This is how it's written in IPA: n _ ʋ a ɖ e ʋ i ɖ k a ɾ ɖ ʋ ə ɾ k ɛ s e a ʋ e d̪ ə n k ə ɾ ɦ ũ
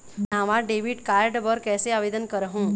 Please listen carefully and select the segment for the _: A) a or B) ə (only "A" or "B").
A